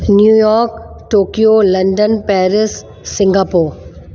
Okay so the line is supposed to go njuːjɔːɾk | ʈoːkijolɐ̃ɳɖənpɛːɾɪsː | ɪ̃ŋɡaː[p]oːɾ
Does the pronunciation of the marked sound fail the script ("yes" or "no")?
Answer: no